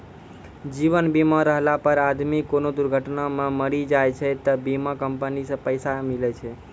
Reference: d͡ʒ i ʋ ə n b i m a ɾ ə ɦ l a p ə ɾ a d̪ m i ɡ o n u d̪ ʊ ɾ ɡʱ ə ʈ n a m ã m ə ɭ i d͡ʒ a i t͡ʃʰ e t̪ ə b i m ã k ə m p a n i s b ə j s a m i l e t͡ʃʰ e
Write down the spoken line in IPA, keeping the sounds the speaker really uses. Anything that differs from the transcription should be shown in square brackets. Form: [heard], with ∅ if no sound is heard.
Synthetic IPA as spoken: d͡ʒ i ʋ ə n b i m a ɾ ə ɦ l a p ə ɾ a d̪ m i [k] o n [o] d̪ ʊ ɾ ɡʱ ə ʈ n a m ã m ə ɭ i d͡ʒ a [j] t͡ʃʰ e t̪ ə b i m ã k ə m p [ə] n i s [p] ə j s a m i l e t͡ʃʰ e